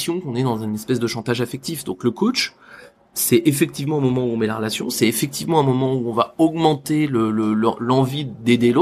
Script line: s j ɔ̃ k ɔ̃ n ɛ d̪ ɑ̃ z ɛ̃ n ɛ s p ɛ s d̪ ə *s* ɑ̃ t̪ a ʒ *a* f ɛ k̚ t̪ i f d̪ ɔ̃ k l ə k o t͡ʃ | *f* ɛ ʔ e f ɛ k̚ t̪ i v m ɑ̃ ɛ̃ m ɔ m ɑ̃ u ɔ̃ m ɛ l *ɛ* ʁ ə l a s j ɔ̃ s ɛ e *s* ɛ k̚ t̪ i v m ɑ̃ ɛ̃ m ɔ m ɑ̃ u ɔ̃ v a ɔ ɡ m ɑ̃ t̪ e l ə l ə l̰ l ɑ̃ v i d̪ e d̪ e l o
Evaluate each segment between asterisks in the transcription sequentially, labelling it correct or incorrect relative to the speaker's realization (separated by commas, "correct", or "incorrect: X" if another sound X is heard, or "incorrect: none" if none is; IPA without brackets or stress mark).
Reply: incorrect: ʃ, correct, incorrect: s, incorrect: a, incorrect: f